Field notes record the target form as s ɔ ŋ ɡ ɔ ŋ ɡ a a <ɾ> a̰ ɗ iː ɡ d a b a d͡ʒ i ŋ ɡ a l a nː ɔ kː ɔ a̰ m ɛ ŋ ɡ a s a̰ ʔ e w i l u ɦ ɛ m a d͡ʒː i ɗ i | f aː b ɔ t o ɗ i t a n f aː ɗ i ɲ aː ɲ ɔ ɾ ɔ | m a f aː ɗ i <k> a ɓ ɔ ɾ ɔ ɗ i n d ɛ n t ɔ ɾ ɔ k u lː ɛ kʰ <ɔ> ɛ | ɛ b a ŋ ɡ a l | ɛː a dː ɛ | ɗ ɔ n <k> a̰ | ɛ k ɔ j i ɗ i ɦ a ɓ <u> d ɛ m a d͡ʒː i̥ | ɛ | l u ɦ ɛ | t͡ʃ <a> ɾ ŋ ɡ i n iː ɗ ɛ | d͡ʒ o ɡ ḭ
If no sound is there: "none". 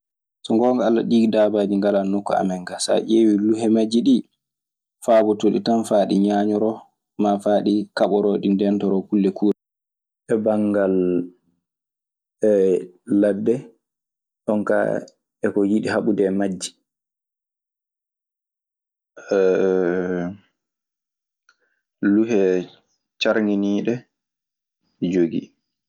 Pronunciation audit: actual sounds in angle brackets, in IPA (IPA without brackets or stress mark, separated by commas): l, k, u, k, u, a